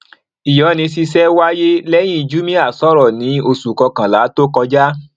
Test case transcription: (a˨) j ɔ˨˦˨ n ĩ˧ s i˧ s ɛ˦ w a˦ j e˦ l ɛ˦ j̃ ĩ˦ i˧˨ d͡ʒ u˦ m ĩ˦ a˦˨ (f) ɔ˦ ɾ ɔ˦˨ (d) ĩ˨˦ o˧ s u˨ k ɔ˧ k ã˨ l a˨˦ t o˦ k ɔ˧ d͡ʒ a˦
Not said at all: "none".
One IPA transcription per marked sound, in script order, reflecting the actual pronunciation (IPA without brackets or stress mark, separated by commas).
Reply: i˨, s, n